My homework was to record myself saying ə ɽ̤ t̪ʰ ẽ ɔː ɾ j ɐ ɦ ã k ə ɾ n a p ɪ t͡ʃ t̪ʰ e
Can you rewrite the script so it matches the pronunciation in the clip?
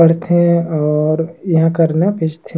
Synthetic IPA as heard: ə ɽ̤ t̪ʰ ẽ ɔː ɾ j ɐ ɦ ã k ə ɾ n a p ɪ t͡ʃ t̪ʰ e

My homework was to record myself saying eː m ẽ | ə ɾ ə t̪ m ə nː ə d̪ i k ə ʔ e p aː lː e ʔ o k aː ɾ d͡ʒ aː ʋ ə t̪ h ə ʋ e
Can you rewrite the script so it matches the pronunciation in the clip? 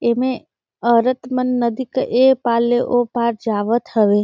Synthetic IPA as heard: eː m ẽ | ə ɾ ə t̪ m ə nː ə d̪ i k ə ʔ e p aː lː e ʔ o p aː ɾ d͡ʒ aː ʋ ə t̪ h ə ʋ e

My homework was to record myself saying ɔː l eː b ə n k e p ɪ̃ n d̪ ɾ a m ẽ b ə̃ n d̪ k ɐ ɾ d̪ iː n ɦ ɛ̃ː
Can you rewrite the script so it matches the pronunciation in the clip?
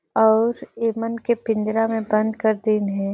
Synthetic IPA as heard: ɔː ɾ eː m ə n k e p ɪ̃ n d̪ ɾ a m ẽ b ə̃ n d̪ k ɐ ɾ d̪ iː n ɦ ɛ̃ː

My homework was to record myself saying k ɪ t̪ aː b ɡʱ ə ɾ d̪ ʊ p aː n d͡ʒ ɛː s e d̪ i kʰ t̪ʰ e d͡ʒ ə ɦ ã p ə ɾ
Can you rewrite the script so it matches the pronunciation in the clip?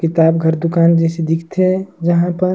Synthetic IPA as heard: k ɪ t̪ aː b ɡʱ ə ɾ d̪ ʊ k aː n d͡ʒ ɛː s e d̪ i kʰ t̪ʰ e d͡ʒ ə ɦ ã p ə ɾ

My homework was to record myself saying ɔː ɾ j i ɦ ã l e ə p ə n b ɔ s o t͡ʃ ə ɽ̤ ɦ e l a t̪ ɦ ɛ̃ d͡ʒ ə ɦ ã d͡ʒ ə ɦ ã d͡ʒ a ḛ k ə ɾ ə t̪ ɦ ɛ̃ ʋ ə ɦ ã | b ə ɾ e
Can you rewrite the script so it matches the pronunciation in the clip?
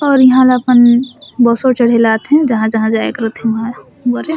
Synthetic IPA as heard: ɔː ɾ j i ɦ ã l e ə p ə n b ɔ s o t͡ʃ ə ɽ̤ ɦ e l a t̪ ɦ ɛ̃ d͡ʒ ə ɦ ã d͡ʒ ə ɦ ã d͡ʒ a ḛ k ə ɾ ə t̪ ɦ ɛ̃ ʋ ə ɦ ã | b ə ɾ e

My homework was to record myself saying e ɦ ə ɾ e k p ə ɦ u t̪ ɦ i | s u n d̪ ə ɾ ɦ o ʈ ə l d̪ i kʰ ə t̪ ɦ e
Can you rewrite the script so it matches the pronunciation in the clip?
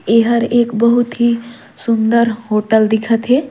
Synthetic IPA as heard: e ɦ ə ɾ e k b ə ɦ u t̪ ɦ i | s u n d̪ ə ɾ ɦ o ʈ ə l d̪ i kʰ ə t̪ ɦ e

